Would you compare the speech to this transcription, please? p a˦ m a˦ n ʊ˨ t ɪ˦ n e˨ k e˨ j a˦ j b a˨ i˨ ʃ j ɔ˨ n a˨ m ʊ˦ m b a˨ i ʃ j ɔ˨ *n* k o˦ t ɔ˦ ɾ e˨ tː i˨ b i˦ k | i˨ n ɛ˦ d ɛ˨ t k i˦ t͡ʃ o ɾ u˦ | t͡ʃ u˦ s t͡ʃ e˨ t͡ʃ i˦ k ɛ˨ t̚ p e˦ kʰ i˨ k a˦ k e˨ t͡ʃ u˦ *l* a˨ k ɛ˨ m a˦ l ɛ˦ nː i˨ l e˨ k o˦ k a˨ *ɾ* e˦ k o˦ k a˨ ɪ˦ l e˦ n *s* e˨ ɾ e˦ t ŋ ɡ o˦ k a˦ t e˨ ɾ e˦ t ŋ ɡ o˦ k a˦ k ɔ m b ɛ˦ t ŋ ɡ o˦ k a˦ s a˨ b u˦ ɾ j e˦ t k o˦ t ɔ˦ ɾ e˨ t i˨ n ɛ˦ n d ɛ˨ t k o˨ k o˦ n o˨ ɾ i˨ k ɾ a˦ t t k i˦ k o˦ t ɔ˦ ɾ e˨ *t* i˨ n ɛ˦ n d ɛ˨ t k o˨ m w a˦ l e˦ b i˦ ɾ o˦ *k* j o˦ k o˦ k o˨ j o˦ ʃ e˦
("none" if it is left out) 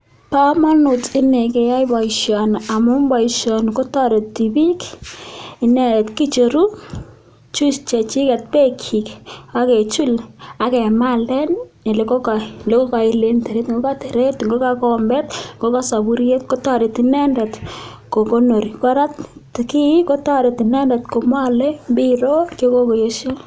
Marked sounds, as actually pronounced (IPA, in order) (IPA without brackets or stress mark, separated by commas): n, l, l, t, t, k